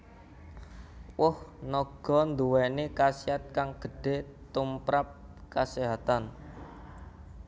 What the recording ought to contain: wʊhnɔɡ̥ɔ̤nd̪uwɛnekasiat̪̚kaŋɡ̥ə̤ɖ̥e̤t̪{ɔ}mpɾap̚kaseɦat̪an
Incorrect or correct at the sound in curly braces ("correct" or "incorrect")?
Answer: incorrect